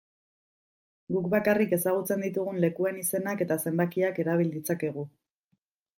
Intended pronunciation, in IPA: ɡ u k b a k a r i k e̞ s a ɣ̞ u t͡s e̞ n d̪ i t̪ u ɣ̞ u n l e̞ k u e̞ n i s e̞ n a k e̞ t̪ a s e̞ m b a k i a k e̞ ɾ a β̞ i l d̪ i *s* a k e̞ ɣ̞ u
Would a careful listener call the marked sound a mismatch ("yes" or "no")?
yes